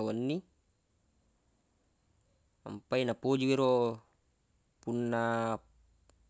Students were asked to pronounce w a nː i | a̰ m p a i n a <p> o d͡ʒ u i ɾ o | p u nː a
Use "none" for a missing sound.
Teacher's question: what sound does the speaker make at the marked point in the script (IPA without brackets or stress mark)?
p